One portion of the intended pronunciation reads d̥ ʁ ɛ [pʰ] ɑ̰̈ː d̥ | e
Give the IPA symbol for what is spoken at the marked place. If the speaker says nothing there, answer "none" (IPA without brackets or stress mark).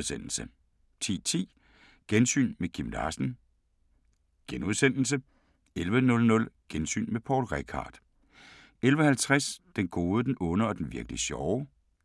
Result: kʰ